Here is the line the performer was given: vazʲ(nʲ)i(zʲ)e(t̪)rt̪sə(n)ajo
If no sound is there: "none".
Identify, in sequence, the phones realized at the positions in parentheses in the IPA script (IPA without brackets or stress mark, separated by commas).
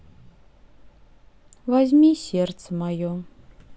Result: mʲ, sʲ, none, m